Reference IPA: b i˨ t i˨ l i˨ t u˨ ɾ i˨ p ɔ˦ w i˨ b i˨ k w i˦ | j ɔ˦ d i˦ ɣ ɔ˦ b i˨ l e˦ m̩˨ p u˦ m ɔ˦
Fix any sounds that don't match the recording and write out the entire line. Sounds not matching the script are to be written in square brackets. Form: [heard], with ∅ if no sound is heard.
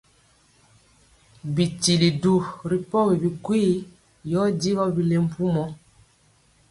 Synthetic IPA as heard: b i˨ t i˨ l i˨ [d] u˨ ɾ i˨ p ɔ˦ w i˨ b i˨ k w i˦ | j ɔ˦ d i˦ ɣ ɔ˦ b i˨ l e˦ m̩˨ p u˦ m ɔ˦